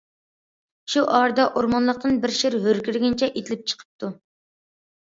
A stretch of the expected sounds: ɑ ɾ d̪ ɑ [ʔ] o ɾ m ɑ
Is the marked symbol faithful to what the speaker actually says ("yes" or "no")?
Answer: yes